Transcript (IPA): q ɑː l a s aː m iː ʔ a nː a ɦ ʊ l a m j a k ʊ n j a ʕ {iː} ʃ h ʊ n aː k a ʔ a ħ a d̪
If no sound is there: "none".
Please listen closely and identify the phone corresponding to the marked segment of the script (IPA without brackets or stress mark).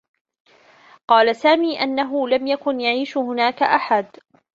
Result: iː